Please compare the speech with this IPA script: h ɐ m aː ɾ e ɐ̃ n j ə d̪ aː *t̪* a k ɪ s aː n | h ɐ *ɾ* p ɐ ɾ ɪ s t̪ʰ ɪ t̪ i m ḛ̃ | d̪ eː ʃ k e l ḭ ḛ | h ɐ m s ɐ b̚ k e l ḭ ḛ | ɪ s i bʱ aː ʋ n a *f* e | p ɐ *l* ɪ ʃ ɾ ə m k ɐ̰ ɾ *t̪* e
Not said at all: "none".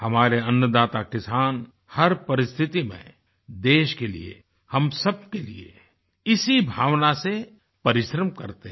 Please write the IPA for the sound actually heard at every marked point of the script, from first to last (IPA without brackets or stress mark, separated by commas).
t̪, ɾ, s, ɾ, t̪